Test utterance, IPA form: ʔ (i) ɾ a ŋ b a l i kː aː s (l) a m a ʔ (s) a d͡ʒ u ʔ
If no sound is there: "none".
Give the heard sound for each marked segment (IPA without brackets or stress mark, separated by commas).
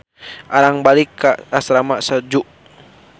a, ɾ, s